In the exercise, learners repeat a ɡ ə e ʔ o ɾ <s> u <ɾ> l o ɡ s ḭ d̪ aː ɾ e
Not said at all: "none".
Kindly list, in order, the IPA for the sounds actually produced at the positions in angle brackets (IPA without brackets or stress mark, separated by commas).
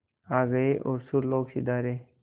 s, ɾ